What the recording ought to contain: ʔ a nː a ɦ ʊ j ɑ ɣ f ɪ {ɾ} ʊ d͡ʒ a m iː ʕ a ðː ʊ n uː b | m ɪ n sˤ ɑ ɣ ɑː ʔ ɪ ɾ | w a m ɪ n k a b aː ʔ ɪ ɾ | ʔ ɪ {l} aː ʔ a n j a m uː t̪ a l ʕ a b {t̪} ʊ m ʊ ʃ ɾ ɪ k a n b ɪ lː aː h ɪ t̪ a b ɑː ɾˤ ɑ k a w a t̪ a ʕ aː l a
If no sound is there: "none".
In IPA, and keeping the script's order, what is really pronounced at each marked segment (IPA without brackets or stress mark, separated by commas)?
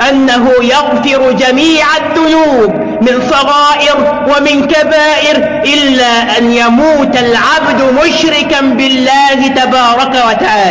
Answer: ɾ, lː, d̪